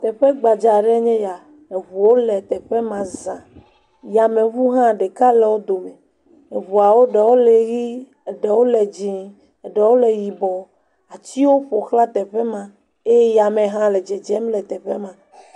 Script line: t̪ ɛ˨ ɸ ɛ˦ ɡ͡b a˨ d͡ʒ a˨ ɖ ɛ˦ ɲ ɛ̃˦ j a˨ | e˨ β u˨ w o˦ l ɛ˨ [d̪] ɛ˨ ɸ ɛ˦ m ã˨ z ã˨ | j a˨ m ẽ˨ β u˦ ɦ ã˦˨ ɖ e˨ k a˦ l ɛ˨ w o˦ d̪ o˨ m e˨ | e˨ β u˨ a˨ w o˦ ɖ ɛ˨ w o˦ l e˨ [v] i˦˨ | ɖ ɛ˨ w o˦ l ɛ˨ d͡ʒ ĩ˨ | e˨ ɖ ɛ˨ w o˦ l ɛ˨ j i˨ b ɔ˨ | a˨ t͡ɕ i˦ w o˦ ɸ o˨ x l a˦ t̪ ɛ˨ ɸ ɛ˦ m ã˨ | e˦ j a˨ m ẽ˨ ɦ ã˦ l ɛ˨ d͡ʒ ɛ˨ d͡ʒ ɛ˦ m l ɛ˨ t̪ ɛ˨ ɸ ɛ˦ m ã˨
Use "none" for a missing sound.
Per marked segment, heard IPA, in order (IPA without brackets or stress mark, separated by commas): t̪, ɣ